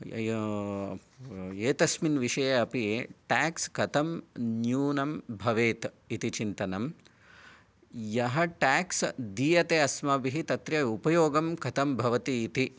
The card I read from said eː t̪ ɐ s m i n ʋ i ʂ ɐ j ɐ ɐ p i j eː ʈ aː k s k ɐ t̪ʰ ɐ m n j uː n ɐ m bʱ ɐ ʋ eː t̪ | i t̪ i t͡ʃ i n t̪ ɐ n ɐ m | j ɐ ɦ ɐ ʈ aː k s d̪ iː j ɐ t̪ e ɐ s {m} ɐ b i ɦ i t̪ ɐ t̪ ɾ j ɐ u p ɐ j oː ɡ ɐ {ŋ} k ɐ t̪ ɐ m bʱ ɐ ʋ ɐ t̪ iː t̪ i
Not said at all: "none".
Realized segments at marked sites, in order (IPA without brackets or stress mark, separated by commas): m, m